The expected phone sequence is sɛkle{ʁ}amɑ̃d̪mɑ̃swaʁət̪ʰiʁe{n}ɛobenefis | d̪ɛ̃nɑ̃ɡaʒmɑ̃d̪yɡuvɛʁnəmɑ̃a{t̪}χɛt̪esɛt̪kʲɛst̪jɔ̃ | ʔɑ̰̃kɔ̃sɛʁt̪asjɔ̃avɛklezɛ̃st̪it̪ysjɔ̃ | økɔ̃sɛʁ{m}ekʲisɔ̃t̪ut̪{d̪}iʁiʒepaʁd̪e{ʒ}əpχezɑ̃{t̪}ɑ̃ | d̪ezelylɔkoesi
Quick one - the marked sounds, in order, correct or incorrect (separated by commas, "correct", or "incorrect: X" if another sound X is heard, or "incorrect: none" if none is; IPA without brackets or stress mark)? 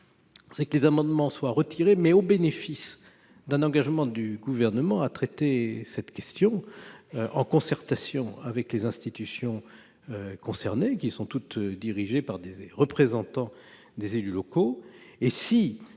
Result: incorrect: z, incorrect: m, correct, incorrect: n, correct, incorrect: ʁ, correct